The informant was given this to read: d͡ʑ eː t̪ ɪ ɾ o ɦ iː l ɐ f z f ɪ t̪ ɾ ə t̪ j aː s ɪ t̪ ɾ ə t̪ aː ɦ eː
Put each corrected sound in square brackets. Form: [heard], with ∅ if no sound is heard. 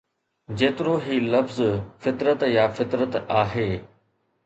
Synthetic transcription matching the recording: d͡ʑ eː t̪ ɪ ɾ o ɦ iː l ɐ f z f ɪ t̪ ɾ ə t̪ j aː [f] ɪ t̪ ɾ ə t̪ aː ɦ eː